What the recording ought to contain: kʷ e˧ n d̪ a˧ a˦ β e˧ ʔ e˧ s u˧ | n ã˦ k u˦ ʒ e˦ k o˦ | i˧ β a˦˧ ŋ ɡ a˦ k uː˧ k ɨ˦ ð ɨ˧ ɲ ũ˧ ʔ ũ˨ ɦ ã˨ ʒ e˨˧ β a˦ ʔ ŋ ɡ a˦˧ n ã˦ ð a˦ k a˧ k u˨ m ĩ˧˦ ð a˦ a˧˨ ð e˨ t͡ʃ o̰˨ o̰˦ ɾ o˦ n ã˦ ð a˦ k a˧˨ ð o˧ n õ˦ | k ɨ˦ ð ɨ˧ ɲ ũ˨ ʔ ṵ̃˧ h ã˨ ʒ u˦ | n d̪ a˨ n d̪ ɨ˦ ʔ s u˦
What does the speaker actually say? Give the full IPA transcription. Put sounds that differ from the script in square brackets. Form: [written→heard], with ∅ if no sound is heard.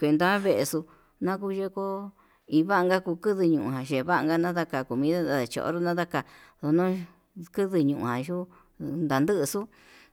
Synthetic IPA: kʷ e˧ n d̪ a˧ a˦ β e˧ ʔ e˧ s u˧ | n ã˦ k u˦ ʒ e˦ k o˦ | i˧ β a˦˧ ŋ ɡ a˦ k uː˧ k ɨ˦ ð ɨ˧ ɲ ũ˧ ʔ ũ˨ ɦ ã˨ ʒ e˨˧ β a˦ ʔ ŋ ɡ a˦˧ n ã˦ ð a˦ k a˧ k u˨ m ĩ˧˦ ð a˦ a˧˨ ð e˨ t͡ʃ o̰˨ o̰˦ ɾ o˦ n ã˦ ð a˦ k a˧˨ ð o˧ n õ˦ | k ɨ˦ ð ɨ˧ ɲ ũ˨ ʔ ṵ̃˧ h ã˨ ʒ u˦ | n d̪ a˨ n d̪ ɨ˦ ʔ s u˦